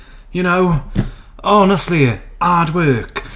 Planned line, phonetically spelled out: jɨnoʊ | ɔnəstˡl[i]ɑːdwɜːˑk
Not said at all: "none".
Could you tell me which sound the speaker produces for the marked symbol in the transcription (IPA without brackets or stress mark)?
i